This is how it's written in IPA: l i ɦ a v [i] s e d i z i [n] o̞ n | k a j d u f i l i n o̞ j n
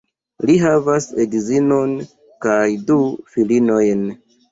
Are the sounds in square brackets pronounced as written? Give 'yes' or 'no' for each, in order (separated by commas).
no, yes